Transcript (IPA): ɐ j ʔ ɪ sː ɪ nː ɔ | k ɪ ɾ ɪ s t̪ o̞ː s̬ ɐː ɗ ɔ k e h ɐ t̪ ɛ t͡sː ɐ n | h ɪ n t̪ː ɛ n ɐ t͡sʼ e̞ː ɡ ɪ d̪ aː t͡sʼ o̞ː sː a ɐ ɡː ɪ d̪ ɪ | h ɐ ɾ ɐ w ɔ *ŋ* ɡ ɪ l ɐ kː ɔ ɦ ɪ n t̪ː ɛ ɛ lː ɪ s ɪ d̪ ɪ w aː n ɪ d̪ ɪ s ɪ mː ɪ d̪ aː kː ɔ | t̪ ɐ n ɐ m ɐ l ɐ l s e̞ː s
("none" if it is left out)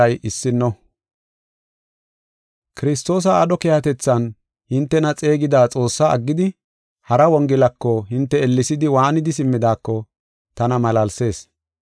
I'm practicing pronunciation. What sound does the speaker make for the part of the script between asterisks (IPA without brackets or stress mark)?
ŋ